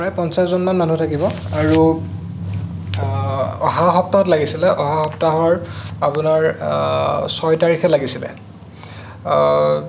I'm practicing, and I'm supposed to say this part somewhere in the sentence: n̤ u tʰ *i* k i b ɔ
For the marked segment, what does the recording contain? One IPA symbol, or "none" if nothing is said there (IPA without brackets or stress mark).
a